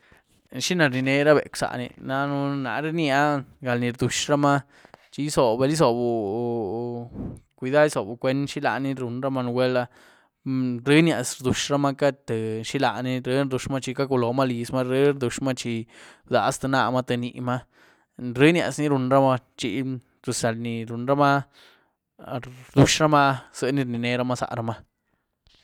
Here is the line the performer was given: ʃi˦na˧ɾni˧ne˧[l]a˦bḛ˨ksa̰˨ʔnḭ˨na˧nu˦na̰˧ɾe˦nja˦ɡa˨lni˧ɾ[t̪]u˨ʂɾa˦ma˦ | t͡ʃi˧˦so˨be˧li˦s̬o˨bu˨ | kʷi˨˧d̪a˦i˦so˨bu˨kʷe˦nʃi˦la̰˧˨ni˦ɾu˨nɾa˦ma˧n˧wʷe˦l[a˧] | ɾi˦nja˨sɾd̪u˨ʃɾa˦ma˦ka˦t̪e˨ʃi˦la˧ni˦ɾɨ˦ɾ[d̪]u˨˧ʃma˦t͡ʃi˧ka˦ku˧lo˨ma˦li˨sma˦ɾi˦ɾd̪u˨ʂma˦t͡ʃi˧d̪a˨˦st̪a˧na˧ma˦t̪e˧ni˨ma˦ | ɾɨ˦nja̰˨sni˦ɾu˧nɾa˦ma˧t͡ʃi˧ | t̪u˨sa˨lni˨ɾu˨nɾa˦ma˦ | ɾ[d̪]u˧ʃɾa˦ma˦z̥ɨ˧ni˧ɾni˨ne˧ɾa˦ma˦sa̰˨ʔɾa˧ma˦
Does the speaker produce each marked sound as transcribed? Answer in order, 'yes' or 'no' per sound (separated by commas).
no, no, yes, yes, yes